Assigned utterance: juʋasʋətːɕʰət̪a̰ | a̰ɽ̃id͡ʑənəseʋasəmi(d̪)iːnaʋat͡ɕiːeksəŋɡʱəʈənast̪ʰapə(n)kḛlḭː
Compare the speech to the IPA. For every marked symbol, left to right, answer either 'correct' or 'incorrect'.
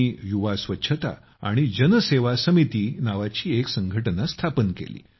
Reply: incorrect: t̪, correct

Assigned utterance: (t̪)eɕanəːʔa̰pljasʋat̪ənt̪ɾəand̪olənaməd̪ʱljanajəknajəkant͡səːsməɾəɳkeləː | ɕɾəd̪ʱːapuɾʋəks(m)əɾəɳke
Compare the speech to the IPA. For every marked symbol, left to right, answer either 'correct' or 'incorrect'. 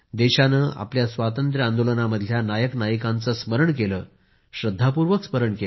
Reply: incorrect: d̪, correct

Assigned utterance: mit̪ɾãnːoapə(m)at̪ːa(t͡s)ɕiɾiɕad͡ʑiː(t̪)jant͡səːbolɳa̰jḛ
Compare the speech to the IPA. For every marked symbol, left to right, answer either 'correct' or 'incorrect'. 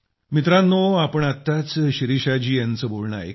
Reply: incorrect: ɳ, correct, incorrect: none

